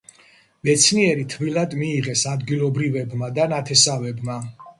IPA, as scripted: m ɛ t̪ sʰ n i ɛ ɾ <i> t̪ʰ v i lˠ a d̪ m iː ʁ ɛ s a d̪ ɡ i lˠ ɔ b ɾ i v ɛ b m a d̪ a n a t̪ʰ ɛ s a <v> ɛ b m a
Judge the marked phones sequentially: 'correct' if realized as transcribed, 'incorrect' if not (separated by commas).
correct, correct